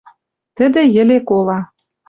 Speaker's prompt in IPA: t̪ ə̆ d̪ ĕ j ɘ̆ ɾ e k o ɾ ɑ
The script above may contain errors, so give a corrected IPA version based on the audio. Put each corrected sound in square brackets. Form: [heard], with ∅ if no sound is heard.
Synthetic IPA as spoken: t̪ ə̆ d̪ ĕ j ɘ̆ [l] e k o [l] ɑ